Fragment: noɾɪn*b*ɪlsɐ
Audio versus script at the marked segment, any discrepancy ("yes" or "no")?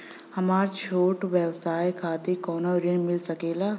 yes